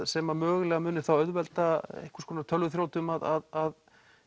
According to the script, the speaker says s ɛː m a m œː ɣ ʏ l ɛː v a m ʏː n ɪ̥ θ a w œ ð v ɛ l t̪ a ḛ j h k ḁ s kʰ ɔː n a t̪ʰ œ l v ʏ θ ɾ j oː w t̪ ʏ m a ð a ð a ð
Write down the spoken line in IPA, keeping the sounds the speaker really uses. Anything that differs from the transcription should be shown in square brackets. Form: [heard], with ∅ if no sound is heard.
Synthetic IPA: s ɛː m a m œː ɣ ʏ l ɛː [ɣ] a m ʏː n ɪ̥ θ a w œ ð v ɛ l t̪ a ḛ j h k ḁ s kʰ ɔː n a t̪ʰ œ l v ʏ θ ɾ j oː w t̪ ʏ m a ð a ð a ð